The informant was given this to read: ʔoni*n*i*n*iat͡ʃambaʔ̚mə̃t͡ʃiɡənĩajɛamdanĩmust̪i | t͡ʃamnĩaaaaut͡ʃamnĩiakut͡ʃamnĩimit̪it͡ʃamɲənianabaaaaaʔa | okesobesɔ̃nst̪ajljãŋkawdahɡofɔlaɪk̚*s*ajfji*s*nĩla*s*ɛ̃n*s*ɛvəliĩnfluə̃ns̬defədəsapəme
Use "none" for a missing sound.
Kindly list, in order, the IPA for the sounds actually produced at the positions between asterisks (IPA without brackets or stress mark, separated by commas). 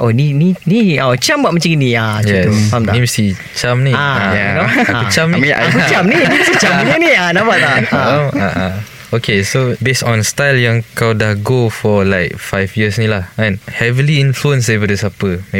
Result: n, n, f, s, h, h